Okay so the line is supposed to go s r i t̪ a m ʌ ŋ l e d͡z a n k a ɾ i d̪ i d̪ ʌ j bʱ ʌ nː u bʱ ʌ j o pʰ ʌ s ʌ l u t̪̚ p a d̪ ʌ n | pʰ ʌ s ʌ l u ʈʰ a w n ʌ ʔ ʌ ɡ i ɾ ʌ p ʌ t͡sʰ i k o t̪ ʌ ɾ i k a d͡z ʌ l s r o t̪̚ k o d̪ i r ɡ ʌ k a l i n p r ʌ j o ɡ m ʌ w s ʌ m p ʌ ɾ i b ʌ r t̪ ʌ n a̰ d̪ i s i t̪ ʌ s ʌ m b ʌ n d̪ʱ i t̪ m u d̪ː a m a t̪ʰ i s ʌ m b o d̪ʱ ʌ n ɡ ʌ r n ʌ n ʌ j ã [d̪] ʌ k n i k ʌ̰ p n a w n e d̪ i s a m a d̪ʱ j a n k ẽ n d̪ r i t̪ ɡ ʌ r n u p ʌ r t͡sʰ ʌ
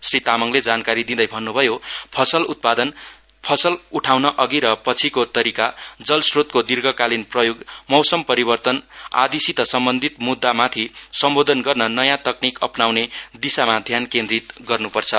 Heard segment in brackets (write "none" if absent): t̪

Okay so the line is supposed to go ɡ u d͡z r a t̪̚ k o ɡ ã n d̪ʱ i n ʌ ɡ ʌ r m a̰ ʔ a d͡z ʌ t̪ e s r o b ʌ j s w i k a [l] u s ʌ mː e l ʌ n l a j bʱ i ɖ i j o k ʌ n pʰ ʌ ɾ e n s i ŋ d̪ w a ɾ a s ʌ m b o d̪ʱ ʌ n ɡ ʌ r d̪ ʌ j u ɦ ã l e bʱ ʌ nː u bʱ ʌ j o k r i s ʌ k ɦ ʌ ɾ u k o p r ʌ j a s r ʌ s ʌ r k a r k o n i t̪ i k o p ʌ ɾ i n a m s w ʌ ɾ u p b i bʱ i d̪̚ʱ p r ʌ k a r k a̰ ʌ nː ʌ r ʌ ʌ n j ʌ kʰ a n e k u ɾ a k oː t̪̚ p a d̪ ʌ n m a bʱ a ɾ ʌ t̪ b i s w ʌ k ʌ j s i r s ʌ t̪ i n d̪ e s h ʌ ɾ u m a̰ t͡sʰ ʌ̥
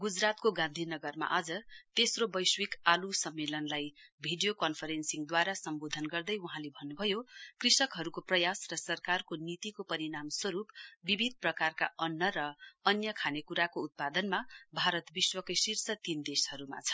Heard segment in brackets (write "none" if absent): l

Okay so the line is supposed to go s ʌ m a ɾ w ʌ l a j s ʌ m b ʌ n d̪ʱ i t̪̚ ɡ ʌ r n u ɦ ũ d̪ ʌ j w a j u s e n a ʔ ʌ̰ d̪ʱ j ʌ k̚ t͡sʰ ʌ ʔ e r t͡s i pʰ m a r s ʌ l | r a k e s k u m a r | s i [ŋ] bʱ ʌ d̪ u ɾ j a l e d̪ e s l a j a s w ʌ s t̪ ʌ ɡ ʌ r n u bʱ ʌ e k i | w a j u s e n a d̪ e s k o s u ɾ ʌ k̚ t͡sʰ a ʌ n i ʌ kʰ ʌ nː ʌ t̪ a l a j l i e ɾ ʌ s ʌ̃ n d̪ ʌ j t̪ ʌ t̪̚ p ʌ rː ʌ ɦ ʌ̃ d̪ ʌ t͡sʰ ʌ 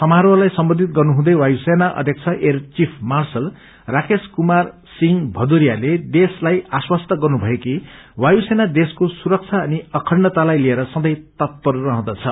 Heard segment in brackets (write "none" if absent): ŋ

